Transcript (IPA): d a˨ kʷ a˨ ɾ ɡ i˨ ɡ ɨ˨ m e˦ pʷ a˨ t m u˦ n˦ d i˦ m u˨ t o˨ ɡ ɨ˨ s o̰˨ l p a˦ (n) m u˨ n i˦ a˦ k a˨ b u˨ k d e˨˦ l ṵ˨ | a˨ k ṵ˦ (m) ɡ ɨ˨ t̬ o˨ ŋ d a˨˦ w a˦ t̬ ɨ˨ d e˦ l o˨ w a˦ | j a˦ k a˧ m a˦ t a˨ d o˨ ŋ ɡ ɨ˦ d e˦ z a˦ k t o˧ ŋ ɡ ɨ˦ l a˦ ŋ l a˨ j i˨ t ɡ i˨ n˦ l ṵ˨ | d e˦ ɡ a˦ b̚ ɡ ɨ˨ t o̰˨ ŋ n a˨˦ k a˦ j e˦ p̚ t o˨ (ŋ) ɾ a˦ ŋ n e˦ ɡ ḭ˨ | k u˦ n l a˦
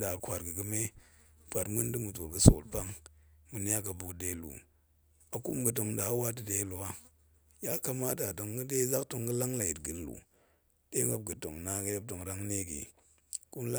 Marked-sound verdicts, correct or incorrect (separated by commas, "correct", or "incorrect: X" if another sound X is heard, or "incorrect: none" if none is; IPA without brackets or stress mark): incorrect: ŋ, correct, correct